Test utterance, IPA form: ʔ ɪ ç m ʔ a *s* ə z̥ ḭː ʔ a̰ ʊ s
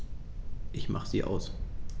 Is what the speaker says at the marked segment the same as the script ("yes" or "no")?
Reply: no